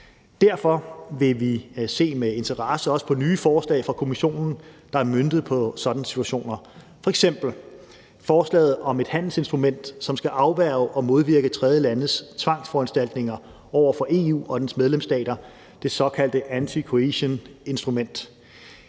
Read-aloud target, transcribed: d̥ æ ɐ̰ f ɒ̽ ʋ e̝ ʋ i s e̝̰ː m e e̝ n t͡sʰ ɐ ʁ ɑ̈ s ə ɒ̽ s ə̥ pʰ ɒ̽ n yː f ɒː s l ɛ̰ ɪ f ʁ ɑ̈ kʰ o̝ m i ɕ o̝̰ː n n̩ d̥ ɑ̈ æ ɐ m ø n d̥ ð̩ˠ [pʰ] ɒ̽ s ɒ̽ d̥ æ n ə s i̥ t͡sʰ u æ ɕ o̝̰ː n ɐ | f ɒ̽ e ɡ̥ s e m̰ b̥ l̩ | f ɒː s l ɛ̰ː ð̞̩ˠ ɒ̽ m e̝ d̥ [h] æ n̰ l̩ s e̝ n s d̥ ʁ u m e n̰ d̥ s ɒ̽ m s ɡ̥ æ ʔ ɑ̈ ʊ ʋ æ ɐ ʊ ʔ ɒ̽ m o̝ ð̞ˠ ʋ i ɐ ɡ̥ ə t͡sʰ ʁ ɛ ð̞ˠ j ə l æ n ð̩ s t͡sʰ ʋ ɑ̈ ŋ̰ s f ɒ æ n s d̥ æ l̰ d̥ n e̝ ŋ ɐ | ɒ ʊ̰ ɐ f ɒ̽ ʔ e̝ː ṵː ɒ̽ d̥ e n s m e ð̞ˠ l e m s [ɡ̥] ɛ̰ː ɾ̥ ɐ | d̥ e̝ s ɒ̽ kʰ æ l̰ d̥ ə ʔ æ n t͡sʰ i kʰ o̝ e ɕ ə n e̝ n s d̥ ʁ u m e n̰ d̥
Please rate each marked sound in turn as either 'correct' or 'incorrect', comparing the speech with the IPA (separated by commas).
correct, correct, incorrect